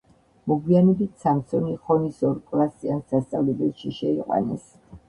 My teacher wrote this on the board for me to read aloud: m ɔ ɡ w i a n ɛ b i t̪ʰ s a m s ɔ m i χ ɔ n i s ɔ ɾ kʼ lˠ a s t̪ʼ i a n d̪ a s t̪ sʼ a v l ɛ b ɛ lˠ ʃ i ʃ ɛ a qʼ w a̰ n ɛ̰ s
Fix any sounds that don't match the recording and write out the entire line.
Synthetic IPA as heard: m ɔ ɡ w i a n ɛ b i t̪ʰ s a m s ɔ n i χ ɔ n i s ɔ ɾ kʼ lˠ a s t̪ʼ i a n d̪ a s t̪ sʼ a v l ɛ b ɛ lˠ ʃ i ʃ ɛ i qʼ w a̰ n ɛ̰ s